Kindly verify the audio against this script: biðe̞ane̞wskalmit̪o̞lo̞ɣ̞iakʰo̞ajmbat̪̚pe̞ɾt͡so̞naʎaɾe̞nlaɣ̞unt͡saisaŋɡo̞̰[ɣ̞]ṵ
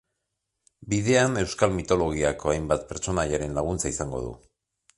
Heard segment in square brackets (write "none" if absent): ð̞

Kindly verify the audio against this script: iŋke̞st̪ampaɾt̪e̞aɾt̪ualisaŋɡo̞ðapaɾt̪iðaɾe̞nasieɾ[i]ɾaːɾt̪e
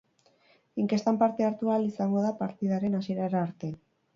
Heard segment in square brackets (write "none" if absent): a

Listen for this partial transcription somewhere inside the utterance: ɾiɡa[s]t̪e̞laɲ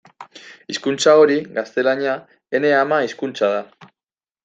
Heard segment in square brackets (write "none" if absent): s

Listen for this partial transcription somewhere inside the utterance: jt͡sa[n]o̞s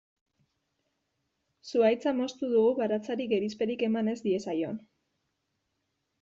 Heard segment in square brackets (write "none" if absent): m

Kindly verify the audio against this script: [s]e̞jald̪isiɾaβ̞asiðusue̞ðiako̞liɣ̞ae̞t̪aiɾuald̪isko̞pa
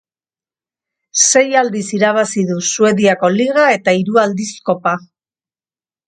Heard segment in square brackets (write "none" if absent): s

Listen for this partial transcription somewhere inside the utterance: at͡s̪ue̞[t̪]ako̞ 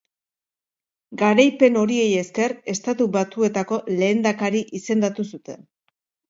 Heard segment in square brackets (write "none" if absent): t̪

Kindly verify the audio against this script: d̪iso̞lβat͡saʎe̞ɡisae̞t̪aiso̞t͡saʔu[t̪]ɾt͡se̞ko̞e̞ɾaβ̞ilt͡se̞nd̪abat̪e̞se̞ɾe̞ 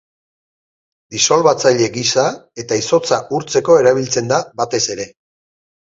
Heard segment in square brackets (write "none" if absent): none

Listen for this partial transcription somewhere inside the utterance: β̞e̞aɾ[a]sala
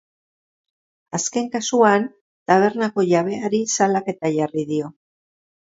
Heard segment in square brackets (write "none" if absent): i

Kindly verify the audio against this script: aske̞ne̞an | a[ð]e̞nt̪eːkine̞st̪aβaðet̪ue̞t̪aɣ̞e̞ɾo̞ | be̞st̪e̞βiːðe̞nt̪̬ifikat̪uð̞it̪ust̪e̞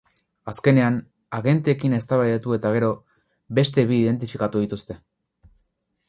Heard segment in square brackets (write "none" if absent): ɣ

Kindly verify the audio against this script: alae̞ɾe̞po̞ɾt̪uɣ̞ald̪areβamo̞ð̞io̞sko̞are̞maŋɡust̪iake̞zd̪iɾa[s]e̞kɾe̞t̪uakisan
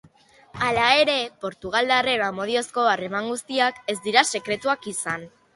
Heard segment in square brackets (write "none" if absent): s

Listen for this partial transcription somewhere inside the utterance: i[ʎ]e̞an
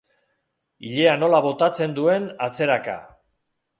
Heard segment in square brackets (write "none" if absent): ʎ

